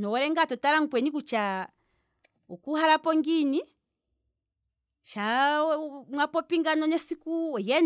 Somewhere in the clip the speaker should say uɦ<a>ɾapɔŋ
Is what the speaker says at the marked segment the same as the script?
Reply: yes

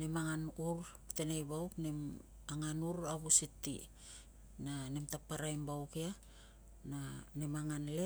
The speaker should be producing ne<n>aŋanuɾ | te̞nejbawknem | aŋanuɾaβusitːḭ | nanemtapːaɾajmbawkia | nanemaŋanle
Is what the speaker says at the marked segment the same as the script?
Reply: no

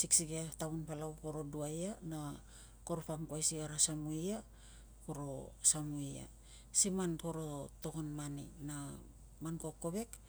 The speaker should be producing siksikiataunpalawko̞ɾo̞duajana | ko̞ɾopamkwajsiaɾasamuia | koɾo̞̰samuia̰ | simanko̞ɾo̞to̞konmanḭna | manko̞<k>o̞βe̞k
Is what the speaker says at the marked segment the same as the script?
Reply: yes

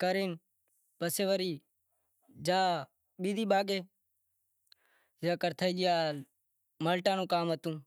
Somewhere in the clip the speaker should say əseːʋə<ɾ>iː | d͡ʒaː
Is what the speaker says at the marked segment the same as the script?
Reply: yes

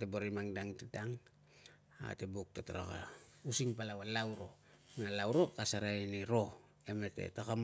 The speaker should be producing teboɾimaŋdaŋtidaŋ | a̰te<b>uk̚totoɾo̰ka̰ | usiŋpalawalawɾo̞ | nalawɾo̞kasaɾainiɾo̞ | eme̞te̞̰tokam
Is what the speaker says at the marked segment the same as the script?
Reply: yes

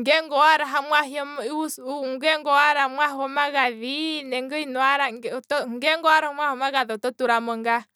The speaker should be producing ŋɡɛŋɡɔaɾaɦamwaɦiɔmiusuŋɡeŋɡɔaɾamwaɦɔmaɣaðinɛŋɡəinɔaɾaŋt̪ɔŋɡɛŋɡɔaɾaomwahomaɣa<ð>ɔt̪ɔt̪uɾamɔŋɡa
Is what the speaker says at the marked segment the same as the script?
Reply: yes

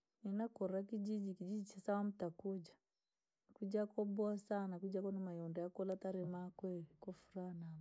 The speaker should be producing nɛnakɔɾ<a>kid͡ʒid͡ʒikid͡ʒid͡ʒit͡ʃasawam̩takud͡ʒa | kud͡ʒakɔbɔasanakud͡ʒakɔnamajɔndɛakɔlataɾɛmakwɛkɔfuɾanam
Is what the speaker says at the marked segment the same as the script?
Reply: yes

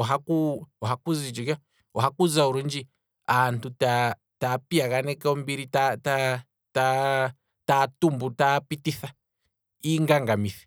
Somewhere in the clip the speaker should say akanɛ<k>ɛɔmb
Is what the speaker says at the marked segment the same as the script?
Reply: yes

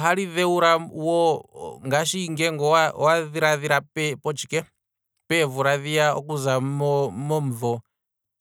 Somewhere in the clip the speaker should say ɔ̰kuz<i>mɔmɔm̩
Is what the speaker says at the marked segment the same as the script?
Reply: no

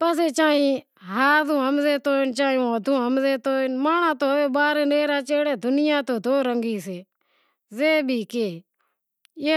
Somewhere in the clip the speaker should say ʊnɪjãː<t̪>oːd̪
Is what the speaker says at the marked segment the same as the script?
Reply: yes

